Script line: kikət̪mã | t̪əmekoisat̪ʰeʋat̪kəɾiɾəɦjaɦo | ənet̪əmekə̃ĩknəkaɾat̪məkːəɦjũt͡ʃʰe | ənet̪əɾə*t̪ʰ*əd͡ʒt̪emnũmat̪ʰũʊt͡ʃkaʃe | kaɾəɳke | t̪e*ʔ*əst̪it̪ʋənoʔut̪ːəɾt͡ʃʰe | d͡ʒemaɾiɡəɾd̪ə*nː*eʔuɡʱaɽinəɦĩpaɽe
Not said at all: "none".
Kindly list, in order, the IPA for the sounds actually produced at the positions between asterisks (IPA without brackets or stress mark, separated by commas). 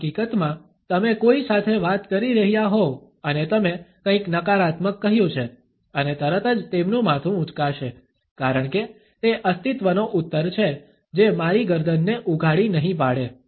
t̪, ʔ, nː